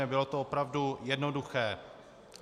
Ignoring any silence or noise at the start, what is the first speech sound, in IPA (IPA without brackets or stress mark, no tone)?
ɛ